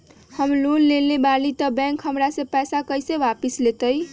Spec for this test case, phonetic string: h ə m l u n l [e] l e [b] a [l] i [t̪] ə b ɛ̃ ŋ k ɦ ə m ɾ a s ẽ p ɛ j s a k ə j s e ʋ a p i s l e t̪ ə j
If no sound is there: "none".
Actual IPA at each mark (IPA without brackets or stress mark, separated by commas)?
e, b, l, t̪